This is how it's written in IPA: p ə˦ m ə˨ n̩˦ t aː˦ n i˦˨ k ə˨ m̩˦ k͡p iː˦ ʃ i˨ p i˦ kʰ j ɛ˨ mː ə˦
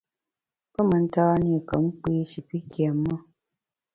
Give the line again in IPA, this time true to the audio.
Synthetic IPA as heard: p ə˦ m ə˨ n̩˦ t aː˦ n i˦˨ k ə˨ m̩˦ k͡p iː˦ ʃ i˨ p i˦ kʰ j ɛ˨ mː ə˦